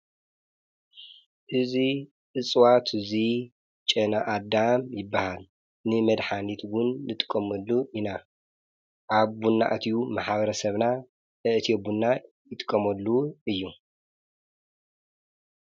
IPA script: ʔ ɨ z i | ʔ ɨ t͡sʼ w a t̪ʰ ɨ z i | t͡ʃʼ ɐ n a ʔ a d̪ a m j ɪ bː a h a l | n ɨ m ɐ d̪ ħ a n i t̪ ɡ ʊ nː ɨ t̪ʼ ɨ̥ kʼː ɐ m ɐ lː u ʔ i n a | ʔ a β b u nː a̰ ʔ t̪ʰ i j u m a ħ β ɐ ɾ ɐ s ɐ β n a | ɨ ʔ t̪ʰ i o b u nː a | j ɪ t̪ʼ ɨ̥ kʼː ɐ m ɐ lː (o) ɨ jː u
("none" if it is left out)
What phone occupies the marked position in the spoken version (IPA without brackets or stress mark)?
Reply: u